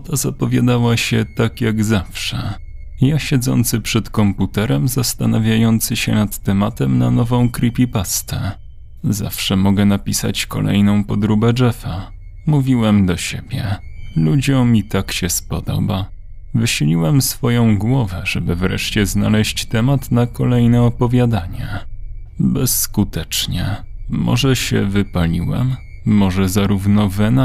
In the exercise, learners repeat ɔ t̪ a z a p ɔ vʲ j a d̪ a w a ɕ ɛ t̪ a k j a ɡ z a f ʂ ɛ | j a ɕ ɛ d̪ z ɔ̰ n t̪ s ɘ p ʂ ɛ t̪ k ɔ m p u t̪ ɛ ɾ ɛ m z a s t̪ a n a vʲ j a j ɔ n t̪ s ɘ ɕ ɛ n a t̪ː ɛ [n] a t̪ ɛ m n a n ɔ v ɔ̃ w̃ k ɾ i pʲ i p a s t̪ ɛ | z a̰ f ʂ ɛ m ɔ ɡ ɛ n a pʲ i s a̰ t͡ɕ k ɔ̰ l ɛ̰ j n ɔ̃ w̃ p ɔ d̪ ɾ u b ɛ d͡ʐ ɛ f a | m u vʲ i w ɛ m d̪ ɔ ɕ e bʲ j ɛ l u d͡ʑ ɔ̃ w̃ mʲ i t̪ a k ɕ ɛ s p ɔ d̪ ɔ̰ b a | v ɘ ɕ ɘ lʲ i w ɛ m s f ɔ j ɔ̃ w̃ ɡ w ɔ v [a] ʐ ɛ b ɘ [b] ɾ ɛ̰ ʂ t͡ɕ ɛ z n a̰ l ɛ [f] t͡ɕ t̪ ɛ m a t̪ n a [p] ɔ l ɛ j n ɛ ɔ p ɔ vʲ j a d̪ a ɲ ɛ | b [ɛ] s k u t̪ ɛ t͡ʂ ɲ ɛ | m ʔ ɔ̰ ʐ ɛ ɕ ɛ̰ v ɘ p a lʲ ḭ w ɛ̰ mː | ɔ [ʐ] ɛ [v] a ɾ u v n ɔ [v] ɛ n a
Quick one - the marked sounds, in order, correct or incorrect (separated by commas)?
incorrect, incorrect, incorrect, incorrect, incorrect, correct, correct, incorrect, correct